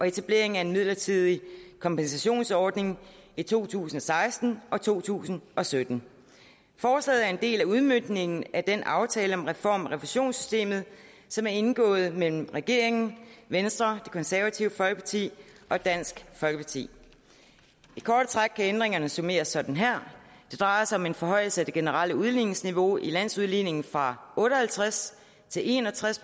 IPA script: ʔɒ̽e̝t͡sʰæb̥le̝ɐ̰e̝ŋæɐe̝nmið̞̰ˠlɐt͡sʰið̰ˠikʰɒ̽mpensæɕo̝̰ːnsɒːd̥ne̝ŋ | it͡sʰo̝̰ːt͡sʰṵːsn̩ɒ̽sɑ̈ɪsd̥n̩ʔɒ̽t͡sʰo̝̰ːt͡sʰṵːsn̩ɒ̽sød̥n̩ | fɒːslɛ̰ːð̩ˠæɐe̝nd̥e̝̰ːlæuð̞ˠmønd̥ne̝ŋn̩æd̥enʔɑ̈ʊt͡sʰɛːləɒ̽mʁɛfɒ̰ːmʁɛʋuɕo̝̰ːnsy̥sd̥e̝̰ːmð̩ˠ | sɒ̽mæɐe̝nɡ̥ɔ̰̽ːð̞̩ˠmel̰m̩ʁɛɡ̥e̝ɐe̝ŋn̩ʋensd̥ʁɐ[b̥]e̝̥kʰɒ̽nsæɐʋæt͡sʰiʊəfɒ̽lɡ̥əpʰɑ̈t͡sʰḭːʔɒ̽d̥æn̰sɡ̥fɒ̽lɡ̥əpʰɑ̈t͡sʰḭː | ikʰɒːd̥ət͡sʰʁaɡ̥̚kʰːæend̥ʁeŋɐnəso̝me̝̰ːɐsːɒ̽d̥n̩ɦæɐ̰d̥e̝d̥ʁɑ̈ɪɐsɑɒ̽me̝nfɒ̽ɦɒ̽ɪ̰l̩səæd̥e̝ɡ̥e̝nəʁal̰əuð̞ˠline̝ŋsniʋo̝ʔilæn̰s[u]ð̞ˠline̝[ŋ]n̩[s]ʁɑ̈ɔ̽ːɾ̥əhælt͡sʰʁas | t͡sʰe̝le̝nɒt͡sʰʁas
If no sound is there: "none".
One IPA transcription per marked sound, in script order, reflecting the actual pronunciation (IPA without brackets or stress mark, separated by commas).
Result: d̥, u, ŋ, f